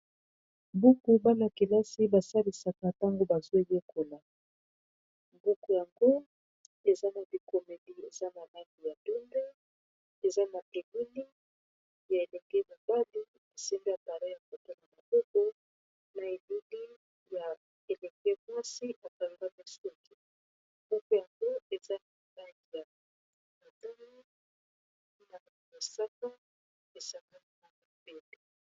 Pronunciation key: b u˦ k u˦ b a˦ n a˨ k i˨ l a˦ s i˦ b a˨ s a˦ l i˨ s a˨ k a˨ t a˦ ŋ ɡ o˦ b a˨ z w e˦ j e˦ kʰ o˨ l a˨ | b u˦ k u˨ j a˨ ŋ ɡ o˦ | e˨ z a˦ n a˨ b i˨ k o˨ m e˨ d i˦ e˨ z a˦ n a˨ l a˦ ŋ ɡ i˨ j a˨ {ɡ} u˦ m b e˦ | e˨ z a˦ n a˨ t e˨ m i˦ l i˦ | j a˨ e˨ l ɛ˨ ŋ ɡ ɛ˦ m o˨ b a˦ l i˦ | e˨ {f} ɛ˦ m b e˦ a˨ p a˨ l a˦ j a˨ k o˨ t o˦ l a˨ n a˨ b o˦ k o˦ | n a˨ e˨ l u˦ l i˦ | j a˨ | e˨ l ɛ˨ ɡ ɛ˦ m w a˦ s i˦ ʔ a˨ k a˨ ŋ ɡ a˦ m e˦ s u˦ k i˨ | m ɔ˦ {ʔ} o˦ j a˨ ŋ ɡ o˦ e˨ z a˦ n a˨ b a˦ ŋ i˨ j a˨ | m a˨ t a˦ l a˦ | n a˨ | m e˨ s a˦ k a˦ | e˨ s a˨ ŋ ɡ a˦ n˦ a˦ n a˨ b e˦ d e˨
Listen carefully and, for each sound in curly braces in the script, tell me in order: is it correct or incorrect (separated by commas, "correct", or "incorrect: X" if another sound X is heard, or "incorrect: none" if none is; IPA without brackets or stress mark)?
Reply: incorrect: d, incorrect: s, incorrect: k